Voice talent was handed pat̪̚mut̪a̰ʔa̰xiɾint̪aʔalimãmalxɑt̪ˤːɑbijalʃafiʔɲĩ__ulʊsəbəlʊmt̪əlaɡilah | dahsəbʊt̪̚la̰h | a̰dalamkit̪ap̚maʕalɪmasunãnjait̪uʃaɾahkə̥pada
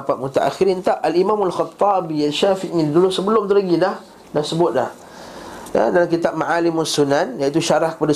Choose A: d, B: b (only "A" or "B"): A